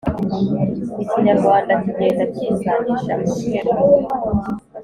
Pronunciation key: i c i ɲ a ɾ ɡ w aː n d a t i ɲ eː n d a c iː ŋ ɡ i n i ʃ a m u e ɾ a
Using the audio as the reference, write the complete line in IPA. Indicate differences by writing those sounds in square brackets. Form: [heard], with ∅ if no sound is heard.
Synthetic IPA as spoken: i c i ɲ a ɾ ɡ w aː n d a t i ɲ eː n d a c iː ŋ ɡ [a] n i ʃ a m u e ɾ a